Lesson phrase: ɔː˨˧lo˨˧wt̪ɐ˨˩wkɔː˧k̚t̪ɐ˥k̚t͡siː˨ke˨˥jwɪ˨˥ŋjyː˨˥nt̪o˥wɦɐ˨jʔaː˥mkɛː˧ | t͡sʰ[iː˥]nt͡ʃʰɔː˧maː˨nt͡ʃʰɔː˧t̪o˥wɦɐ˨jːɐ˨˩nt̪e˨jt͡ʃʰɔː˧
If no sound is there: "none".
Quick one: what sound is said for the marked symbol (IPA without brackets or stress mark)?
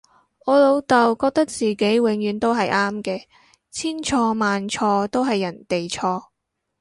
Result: iː˥